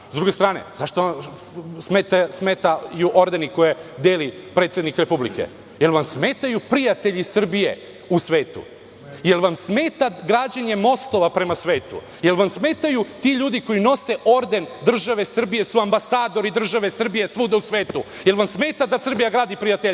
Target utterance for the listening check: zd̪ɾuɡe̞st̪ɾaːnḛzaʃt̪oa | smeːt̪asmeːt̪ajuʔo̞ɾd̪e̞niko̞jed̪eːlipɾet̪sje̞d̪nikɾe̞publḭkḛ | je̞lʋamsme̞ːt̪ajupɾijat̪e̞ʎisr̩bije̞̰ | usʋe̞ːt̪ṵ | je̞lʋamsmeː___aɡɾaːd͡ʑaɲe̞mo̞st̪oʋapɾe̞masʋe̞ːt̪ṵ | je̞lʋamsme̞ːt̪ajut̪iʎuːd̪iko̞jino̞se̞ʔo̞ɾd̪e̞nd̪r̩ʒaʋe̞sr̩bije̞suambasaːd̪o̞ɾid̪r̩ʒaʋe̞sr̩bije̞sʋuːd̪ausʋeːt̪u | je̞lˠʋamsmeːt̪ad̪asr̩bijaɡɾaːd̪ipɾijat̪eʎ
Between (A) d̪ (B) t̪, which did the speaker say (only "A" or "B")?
B